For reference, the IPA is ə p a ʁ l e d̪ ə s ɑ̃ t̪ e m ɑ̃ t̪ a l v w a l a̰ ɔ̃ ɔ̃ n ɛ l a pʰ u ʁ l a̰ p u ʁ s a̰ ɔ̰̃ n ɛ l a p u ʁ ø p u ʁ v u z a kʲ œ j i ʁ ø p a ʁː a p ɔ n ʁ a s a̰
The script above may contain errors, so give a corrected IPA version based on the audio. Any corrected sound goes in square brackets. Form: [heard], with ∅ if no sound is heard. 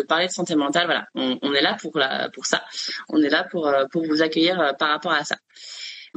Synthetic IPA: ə p a ʁ l e d̪ ə s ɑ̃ t̪ e m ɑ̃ t̪ a l v w a l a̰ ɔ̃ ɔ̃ n ɛ l a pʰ u ʁ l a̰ p u ʁ s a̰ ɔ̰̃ n ɛ l a p u ʁ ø p u ʁ v u z a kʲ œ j i ʁ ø p a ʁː a p ɔ [∅] ʁ a s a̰